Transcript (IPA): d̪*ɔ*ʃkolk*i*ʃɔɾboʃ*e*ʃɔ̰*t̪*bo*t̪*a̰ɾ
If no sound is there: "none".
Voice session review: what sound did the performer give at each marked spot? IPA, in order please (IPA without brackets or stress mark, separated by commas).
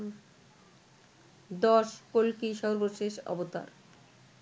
ɔ, i, e, none, t̪